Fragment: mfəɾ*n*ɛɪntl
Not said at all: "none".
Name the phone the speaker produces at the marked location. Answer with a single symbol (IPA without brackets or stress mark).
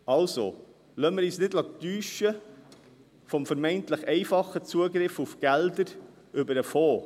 m